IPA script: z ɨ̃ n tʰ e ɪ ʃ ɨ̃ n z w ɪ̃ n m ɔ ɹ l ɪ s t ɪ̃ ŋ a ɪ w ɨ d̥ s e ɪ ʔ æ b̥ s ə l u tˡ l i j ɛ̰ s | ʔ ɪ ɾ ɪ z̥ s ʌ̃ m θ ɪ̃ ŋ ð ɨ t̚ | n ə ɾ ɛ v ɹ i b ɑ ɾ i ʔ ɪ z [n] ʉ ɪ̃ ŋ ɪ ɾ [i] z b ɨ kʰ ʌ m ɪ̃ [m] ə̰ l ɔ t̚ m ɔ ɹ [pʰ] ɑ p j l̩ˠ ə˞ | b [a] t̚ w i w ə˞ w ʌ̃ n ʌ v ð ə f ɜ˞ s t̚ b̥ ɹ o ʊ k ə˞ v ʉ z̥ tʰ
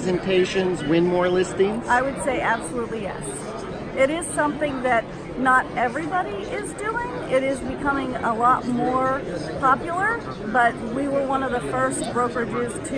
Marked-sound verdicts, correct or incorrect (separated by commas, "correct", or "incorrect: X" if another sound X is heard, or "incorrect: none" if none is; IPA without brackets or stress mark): incorrect: d, incorrect: ɪ, incorrect: ŋ, correct, incorrect: ʌ